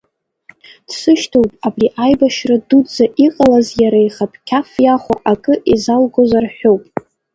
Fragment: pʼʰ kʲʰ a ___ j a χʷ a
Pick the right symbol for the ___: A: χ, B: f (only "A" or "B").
B